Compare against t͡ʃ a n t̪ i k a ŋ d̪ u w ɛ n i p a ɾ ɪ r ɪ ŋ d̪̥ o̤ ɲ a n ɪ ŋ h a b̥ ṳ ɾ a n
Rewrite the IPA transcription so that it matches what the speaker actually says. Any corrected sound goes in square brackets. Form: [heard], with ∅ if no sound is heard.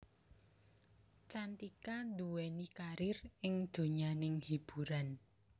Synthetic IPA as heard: t͡ʃ a n t̪ i k a [n] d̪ u w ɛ n i [k] a ɾ ɪ r ɪ ŋ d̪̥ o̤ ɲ a n ɪ ŋ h [i] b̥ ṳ ɾ a n